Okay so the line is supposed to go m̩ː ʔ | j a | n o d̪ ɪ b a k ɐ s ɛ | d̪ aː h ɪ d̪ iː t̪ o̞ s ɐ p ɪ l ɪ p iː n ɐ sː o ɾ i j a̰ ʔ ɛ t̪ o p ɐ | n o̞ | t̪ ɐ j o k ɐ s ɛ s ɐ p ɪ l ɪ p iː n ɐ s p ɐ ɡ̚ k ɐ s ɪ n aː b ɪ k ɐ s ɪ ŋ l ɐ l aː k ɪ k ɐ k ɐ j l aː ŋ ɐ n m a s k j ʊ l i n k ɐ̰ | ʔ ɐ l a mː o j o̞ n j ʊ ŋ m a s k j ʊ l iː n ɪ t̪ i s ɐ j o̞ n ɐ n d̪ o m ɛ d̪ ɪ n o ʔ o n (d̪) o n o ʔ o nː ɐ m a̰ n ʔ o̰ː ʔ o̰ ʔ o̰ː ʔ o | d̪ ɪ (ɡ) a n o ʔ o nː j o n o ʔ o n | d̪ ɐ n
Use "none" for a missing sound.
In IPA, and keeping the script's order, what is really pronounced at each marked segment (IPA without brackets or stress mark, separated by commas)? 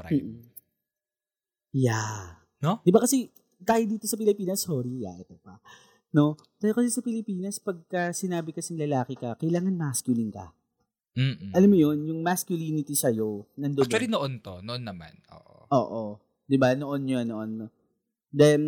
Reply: t̪, b